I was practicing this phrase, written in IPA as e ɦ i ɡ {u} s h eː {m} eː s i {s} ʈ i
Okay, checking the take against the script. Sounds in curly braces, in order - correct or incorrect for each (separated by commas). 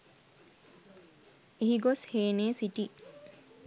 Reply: incorrect, incorrect, incorrect